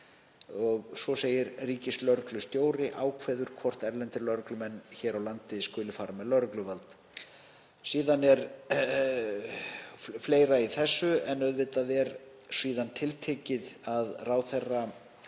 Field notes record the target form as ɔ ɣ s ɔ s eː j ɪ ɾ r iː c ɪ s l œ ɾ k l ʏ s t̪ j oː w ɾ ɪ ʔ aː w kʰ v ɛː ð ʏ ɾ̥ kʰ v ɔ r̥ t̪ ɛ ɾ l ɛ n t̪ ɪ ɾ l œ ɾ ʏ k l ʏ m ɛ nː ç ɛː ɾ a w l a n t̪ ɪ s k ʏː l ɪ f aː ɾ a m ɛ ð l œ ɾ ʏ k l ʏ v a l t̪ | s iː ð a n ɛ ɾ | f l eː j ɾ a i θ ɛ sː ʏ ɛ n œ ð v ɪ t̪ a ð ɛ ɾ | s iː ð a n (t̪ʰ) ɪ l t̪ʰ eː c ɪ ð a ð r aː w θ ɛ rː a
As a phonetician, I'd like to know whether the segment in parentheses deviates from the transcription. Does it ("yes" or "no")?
no